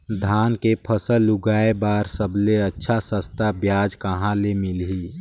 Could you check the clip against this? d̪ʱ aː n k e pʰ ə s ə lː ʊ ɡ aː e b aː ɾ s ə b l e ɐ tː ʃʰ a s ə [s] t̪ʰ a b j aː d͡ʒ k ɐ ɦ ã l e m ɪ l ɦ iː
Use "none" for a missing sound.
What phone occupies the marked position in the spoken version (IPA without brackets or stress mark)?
s